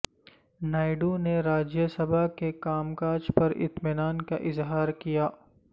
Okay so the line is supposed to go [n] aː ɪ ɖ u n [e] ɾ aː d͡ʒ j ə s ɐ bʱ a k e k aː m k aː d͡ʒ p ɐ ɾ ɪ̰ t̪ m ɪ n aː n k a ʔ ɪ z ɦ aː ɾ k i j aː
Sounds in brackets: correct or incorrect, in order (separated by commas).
correct, correct